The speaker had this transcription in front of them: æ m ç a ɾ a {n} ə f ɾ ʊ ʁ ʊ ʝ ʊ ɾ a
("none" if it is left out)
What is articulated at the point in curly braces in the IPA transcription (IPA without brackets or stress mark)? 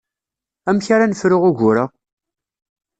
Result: n